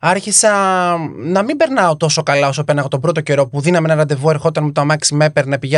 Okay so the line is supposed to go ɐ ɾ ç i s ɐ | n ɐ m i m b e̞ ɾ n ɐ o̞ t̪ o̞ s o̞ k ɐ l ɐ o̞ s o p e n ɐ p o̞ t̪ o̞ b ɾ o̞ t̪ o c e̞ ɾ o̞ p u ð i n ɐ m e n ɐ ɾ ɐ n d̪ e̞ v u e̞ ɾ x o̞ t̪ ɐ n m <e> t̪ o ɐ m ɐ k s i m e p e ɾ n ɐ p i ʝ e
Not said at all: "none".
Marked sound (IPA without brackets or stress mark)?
e